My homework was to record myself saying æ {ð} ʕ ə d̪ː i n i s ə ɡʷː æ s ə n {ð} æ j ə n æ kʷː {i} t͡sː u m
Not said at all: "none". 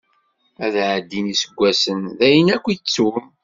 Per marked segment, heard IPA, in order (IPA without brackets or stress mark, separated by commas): ð, ð, i